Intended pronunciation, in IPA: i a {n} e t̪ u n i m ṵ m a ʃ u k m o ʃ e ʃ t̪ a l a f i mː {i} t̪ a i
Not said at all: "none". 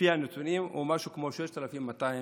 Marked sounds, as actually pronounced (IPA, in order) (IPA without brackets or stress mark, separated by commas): n, a